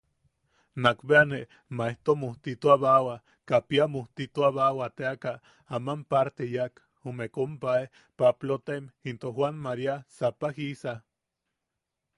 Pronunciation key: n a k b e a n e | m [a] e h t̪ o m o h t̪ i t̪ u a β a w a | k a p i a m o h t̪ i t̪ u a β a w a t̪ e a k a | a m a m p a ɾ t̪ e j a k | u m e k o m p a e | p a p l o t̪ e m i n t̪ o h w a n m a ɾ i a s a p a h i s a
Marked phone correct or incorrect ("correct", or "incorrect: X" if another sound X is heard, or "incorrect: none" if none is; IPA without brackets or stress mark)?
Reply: correct